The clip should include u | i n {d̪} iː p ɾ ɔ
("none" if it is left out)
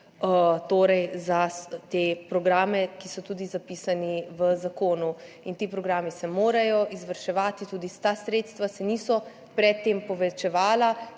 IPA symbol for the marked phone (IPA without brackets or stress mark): t̪